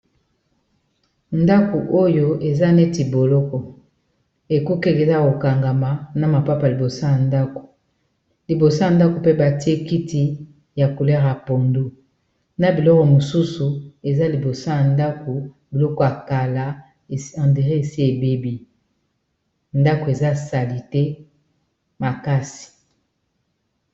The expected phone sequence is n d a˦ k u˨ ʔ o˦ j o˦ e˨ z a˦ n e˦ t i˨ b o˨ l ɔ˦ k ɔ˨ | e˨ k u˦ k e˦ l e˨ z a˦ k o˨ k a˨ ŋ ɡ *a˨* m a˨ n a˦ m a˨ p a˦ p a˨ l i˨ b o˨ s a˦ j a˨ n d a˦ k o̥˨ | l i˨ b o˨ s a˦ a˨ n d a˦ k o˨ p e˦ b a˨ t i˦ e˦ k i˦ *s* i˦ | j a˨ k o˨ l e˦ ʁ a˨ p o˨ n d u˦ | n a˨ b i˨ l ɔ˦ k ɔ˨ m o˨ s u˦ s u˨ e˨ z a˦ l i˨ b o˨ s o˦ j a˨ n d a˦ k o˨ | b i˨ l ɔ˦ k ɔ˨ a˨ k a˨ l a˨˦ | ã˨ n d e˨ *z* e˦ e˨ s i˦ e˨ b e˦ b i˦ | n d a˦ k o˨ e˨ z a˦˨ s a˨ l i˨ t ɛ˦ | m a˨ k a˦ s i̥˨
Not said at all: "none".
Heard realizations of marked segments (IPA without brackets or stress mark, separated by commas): a˨, t, ʁ